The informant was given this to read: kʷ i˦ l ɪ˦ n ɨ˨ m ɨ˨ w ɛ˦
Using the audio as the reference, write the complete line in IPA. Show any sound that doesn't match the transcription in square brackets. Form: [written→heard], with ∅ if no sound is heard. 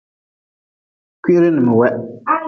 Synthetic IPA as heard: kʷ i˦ [l→ɾ] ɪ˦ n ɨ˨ m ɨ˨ w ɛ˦